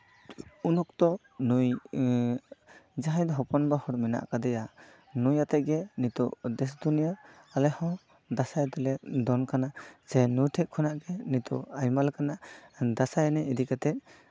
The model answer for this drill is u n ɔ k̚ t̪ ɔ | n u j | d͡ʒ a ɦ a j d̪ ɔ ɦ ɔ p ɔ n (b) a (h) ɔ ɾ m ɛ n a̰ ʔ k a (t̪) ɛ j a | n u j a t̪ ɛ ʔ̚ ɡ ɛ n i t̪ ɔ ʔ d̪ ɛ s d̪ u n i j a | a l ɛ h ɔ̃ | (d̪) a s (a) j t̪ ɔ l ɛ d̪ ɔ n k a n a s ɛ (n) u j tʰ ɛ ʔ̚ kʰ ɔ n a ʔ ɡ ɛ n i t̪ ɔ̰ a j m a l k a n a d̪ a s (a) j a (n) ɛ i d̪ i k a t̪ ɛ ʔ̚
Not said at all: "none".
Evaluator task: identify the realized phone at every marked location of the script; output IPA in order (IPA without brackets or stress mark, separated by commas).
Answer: b, h, d̪, d̪, a, n, a, n